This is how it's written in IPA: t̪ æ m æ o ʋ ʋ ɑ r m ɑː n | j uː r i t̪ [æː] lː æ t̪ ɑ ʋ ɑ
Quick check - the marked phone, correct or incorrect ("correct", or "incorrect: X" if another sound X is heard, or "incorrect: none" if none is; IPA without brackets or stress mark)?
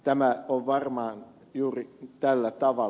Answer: incorrect: æ